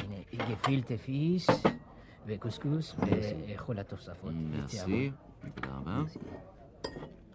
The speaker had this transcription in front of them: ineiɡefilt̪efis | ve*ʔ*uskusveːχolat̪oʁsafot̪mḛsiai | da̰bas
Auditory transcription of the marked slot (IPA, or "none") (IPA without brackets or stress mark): k